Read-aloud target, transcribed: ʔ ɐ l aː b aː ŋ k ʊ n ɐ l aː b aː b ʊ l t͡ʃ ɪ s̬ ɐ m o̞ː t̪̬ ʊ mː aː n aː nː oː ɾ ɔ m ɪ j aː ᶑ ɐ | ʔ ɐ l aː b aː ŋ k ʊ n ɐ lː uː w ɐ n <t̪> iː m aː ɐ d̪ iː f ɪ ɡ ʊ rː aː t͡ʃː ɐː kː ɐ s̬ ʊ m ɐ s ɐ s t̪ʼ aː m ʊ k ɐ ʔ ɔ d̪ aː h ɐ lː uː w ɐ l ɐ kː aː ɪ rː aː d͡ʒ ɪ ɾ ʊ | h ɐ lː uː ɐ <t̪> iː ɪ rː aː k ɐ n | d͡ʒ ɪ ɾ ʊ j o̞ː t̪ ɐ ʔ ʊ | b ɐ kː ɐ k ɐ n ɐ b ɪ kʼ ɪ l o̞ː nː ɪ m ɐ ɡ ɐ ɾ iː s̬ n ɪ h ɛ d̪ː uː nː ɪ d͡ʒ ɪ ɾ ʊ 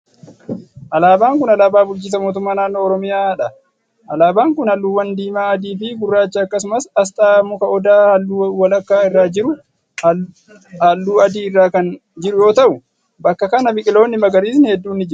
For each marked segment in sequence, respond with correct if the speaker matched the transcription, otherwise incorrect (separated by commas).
incorrect, incorrect